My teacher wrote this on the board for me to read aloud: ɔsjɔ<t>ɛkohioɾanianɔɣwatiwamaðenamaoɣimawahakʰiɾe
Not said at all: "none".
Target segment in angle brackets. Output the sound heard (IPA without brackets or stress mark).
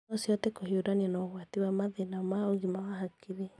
t